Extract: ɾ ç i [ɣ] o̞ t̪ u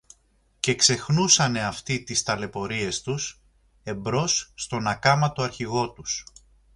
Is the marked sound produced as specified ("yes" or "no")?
yes